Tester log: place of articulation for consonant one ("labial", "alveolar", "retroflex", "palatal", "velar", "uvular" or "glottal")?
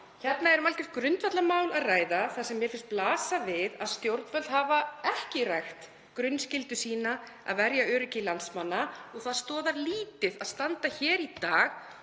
palatal